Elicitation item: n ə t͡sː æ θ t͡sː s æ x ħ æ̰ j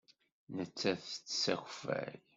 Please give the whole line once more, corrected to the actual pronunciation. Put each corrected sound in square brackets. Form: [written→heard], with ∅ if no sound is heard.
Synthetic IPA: n ə t͡sː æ θ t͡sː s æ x [ħ→f] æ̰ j